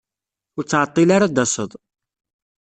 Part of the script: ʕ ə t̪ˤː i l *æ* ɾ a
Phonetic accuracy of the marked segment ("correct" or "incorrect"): incorrect